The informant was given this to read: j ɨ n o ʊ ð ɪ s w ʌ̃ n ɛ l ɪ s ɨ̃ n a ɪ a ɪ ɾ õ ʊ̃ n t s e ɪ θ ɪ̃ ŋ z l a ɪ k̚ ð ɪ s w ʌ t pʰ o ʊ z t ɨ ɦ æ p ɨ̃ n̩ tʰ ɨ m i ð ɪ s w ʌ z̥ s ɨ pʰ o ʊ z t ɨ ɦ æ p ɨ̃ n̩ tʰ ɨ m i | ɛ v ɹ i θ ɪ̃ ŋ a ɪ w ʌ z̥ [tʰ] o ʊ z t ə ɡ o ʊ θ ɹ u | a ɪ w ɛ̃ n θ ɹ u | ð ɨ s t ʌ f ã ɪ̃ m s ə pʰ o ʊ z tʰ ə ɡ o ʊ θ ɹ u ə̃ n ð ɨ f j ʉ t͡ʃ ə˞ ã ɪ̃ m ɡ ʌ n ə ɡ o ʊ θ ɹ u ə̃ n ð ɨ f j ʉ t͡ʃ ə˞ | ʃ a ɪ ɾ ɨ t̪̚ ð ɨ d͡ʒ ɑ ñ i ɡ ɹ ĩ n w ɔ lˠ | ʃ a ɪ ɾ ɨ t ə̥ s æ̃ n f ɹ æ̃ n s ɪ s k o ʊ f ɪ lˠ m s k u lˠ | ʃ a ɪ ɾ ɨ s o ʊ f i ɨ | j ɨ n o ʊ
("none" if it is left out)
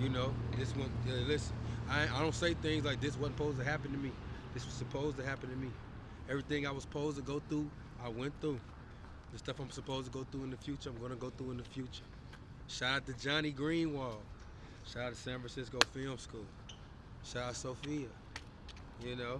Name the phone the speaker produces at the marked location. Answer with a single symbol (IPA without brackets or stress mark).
pʰ